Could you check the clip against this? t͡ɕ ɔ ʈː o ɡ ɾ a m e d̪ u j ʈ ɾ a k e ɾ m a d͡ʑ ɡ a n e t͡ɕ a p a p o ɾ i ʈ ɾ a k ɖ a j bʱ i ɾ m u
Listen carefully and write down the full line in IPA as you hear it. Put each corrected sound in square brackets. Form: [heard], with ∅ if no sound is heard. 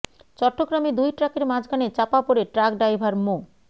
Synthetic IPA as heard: t͡ɕ ɔ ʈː o ɡ ɾ a m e d̪ u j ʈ ɾ a k e ɾ m a d͡ʑ ɡ a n e t͡ɕ a p a p o ɾ [e] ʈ ɾ a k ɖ a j bʱ [a] ɾ m [o]

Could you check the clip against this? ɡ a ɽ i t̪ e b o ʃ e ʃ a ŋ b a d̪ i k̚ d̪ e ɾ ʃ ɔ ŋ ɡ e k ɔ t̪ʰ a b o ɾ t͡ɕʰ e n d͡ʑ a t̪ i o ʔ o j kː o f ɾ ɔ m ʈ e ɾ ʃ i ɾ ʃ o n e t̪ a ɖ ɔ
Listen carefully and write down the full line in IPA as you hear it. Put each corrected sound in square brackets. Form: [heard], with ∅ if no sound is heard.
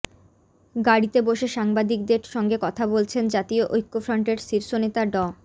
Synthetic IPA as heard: ɡ a ɽ i t̪ e b o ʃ e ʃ a ŋ b a d̪ i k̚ d̪ e ɾ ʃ ɔ ŋ ɡ e k ɔ t̪ʰ a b o [l] t͡ɕʰ e n d͡ʑ a t̪ i o ʔ o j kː o f ɾ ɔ [ɳ] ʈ e ɾ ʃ i ɾ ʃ o n e t̪ a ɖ ɔ

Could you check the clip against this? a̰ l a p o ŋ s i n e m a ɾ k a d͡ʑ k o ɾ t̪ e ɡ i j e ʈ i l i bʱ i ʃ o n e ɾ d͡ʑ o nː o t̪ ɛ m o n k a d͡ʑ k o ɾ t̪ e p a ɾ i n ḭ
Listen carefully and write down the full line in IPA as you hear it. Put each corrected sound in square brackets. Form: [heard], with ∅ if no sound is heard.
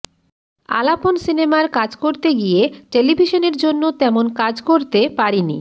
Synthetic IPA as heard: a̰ l a p o [n] s i n e m a ɾ k a d͡ʑ k o ɾ t̪ e ɡ i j e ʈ [e] l i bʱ i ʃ o n e ɾ d͡ʑ o nː o t̪ ɛ m o n k a d͡ʑ k o ɾ t̪ e p a ɾ i n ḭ

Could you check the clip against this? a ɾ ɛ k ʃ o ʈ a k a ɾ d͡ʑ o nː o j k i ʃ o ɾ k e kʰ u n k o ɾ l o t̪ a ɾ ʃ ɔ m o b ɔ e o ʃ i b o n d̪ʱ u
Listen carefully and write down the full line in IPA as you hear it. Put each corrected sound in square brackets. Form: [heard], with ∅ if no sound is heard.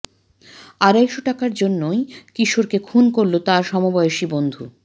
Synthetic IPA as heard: a ɾ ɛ k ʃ o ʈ a k a ɾ d͡ʑ o nː o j k i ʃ o ɾ k e kʰ u n k o ɾ l o t̪ a ɾ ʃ ɔ m o b ɔ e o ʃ i b o n d̪ʱ u

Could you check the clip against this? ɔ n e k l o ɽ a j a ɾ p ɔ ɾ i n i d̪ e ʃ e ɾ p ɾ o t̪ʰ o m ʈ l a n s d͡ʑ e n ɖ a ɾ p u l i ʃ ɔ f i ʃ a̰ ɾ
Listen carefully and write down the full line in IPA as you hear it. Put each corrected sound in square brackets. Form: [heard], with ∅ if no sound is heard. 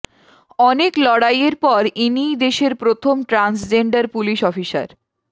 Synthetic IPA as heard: ɔ n e k l [ɔ] ɽ a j [e] ɾ p ɔ ɾ i n i d̪ e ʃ e ɾ p ɾ o t̪ʰ o m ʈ [ɾ] a n s d͡ʑ e [ɳ] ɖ a ɾ p u l i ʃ ɔ f i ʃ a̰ ɾ

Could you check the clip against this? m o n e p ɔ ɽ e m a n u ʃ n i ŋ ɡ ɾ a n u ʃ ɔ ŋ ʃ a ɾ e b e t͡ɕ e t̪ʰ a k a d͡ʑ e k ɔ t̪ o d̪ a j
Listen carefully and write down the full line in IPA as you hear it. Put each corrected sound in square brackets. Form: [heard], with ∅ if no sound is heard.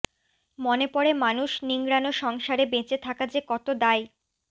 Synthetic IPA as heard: m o n e p ɔ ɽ e m a n u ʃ n i ŋ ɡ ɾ a n [o] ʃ ɔ ŋ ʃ a ɾ e b e t͡ɕ e t̪ʰ a k a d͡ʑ e k ɔ t̪ o d̪ a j

